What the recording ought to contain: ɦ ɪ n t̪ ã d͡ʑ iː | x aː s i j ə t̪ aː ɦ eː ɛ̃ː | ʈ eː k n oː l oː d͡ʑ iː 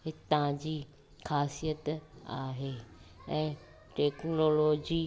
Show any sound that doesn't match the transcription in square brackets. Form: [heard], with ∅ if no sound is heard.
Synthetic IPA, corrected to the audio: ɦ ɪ [∅] t̪ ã d͡ʑ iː | x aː s i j ə t̪ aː ɦ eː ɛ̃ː | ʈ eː k n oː l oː d͡ʑ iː